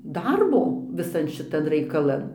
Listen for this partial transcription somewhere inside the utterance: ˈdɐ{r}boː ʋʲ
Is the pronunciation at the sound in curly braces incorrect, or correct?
correct